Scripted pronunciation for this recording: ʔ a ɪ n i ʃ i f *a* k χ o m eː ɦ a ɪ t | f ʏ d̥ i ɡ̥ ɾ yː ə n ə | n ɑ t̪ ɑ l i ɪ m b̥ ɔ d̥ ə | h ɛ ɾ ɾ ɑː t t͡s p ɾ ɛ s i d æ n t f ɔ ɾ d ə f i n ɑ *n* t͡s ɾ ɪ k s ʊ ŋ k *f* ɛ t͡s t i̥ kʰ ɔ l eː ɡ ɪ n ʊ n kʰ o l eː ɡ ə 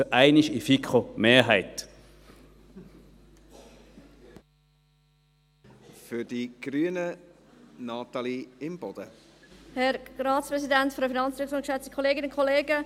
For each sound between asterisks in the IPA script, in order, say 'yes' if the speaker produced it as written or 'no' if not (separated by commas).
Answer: no, yes, no